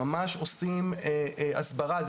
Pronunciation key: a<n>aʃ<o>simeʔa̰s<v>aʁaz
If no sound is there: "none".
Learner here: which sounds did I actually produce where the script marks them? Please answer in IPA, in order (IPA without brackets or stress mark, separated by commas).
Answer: m, o, b